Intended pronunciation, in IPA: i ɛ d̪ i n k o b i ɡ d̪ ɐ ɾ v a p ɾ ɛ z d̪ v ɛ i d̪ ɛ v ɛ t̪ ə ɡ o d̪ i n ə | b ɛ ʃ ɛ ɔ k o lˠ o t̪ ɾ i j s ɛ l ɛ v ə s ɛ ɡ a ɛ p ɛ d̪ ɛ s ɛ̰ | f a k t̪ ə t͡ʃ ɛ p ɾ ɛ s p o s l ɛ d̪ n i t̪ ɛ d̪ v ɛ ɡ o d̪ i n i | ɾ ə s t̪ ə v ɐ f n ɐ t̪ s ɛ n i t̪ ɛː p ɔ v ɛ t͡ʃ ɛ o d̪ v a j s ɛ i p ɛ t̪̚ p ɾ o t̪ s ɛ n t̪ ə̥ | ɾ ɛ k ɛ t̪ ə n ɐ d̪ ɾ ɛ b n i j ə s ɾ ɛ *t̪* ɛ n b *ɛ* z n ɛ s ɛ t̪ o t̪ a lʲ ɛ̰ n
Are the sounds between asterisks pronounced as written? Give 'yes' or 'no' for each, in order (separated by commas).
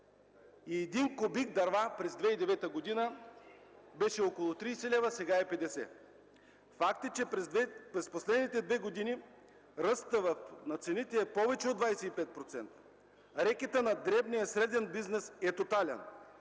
no, no